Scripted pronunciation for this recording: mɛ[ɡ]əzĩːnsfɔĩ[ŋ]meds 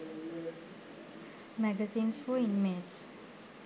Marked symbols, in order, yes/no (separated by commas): yes, no